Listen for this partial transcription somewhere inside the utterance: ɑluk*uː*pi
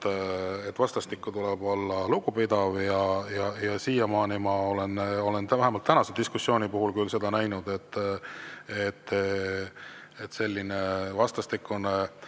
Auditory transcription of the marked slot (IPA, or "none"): u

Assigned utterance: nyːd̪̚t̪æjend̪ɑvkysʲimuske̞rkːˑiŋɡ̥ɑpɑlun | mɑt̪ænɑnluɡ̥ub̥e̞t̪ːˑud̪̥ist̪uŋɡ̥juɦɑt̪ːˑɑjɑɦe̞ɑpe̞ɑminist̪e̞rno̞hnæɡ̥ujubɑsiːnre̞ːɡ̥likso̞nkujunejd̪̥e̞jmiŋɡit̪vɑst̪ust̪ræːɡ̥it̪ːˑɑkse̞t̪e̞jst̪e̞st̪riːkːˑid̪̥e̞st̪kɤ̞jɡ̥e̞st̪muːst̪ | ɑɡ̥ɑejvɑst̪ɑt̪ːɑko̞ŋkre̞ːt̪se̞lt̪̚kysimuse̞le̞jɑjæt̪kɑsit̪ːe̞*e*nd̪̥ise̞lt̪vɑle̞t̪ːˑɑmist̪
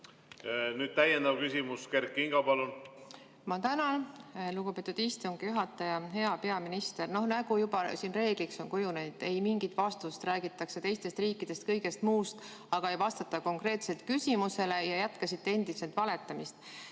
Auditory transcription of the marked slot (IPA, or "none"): e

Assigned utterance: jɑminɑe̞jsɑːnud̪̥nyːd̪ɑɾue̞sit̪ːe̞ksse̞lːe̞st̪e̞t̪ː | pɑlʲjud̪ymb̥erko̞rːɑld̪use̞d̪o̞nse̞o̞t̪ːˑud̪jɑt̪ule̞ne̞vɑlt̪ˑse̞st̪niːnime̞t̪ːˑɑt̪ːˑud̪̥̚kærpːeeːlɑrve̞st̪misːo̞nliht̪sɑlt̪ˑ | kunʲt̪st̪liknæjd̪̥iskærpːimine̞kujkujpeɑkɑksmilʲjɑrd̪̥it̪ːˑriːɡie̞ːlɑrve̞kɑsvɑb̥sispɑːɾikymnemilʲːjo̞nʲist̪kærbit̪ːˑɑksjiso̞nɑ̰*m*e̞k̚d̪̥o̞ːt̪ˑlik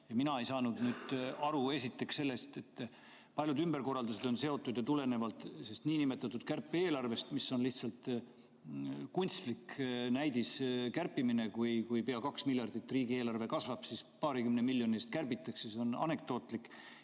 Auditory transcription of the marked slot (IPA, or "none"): n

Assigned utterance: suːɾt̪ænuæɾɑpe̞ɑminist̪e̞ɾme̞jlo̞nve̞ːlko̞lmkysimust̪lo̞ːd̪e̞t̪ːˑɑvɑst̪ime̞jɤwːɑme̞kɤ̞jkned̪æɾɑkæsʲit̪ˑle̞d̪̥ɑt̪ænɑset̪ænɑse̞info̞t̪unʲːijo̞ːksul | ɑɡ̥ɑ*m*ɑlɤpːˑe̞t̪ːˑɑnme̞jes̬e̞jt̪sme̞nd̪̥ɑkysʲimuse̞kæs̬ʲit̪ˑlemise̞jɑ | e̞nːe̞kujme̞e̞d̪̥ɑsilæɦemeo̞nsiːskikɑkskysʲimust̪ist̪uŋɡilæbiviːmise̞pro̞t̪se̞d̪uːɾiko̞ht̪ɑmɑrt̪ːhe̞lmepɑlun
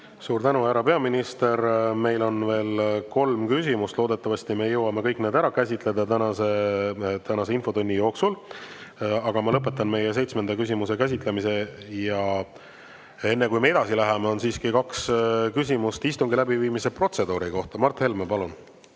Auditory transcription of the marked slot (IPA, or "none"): m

